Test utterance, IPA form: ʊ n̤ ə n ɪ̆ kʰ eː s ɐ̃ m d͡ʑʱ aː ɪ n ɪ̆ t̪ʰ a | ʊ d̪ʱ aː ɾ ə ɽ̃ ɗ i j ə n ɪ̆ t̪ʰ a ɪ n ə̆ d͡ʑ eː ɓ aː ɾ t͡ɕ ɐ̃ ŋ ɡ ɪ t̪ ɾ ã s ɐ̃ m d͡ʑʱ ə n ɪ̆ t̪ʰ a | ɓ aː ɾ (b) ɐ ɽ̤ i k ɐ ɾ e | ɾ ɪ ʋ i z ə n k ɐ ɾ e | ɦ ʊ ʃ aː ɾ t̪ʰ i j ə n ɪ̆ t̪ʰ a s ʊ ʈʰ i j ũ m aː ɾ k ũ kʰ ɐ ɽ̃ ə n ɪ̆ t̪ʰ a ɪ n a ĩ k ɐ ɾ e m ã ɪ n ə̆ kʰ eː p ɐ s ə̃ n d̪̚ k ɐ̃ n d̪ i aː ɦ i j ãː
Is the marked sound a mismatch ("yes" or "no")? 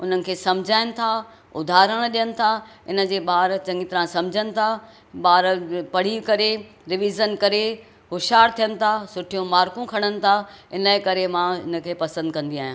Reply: yes